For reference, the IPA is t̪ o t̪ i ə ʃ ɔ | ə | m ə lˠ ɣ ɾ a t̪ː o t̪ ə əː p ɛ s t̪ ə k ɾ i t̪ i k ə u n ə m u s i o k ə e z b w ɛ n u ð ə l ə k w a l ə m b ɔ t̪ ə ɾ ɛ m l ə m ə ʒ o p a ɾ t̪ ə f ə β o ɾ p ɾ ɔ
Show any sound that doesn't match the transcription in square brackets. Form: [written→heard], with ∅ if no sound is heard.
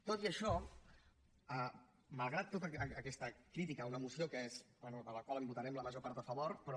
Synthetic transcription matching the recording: t̪ o t̪ i ə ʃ ɔ | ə | m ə lˠ ɣ ɾ a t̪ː o t̪ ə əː [p→k] ɛ s t̪ ə k ɾ i t̪ i k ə u n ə m u s i o k ə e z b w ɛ n u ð ə l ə k w a l ə m b [ɔ→u] t̪ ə ɾ ɛ m l ə m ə ʒ o p a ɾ t̪ ə f ə β o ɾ p ɾ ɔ